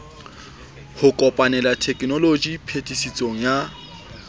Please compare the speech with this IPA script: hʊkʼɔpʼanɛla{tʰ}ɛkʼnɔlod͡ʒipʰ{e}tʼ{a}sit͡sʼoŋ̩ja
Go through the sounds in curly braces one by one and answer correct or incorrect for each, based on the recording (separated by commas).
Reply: correct, correct, incorrect